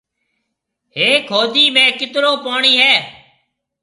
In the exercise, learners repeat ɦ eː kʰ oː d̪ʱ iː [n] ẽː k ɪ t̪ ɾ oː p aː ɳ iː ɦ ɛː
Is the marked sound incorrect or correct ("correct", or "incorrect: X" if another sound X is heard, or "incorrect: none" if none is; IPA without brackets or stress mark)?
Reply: incorrect: m